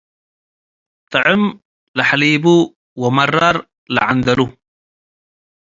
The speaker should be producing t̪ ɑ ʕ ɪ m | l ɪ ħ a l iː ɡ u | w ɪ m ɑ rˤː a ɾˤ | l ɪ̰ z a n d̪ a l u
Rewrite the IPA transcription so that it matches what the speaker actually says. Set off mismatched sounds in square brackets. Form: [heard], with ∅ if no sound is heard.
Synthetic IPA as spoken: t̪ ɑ ʕ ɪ m | l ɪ ħ a l iː [b] u | w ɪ m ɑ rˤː [ɑ] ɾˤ | l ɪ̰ [ʕ] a n d̪ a l u